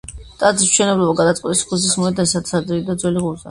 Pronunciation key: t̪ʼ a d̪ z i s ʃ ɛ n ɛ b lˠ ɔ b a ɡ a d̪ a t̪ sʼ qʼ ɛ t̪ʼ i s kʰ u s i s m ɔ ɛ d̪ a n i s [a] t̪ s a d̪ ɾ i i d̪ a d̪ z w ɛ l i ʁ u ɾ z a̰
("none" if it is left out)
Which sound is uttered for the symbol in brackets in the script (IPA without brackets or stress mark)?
a